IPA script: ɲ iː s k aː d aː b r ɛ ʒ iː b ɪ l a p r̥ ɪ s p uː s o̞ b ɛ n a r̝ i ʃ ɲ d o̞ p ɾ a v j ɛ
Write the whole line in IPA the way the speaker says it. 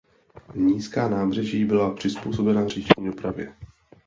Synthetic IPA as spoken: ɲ iː s k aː n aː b r ɛ ʒ iː b ɪ l a p r̥ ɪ s p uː s o̞ b ɛ n a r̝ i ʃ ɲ d o̞ p ɾ a v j ɛ